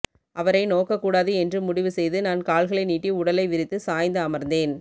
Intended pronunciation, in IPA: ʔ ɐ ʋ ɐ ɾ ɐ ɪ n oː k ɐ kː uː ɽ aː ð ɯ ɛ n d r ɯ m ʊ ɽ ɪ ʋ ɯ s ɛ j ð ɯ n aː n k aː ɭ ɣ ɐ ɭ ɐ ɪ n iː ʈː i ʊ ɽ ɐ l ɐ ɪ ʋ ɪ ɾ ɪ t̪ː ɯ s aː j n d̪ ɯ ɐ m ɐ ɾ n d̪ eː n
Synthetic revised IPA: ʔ ɐ ʋ ɐ ɾ ɐ ɪ n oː k ɐ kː uː ɽ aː ð ɯ ɛ n d r ɯ m ʊ ɽ ɪ ʋ ɯ s ɛ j ð ɯ n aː n k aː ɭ ɣ ɐ ɭ ɐ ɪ n iː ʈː i ʊ ɽ ɐ l ɐ ɪ ʋ ɪ ɾ ɪ t̪ː ɯ s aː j n d̪ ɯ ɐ m ɐ ɾ n d̪ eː n